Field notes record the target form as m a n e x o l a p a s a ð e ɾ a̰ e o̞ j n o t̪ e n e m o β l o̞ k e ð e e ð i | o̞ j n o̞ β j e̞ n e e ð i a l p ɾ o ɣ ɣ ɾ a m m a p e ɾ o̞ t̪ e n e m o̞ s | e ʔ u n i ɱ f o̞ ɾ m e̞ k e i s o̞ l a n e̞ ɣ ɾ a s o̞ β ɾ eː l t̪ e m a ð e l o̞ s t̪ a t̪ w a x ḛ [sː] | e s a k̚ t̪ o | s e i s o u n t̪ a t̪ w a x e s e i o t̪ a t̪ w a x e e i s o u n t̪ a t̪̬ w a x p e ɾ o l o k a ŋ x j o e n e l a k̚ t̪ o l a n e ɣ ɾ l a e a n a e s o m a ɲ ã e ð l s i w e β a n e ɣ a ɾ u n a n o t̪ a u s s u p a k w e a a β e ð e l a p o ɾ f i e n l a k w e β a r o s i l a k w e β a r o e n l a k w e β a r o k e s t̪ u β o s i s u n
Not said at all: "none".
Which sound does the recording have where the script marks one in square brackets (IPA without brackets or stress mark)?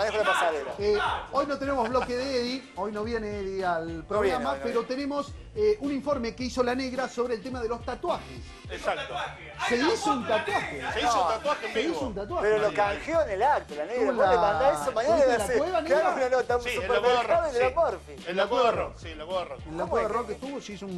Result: s